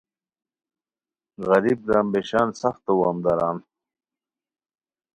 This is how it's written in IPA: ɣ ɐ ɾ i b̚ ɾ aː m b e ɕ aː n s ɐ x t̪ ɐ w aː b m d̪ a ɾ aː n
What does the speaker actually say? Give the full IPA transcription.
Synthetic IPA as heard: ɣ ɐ ɾ i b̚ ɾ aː m b e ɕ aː n s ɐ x t̪ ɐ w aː m d̪ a ɾ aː n